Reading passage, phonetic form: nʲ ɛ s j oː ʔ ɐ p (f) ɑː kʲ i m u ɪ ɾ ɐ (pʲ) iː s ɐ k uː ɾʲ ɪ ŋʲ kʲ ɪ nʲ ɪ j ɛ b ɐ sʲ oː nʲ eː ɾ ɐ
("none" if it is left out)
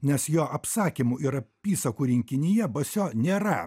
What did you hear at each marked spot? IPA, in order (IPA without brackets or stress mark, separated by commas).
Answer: s, pʲ